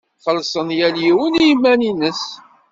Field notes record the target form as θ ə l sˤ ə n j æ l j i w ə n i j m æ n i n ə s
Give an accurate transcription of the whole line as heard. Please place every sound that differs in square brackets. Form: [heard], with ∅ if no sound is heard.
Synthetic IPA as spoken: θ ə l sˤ ə n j æ l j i w ə n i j m æ n i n ə s